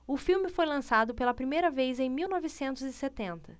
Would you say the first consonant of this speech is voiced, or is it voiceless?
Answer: voiceless